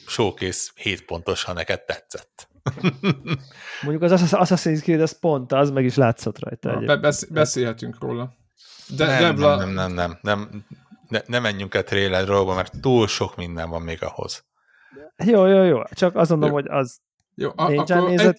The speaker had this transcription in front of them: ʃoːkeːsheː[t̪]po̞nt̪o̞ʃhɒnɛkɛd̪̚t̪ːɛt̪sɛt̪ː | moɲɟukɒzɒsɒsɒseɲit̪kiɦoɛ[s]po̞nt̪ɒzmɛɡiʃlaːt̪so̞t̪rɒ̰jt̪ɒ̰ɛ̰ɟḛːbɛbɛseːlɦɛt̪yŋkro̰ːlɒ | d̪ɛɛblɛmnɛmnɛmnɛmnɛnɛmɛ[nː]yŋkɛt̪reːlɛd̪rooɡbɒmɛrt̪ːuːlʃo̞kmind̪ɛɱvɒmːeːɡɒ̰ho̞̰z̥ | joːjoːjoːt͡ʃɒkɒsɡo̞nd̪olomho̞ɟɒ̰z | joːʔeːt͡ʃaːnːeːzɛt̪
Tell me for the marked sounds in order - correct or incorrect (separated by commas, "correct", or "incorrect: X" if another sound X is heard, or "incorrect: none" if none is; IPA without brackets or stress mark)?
correct, correct, incorrect: ɲː